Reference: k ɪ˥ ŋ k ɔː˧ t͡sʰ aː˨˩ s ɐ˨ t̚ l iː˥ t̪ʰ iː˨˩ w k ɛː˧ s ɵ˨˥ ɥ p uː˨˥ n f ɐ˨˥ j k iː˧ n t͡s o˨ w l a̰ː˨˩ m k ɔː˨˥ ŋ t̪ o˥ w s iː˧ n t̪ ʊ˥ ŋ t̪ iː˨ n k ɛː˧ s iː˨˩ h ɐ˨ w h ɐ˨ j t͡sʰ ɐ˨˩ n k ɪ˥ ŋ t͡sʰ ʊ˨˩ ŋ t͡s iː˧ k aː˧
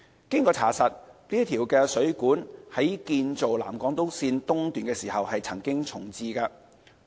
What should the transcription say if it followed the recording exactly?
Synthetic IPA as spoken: k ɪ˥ ŋ k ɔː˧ t͡sʰ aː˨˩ s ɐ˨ t̚ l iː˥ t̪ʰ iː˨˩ w k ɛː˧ s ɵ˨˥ ɥ k uː˨˥ n h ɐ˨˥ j k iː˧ n t͡s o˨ w l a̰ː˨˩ m k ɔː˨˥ ŋ t̪ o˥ w s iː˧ n t̪ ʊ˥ ŋ t̪ yː˨ n k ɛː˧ s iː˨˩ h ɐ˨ w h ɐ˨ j t͡sʰ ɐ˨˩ ŋ k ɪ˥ ŋ t͡sʰ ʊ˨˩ ŋ t͡s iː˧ k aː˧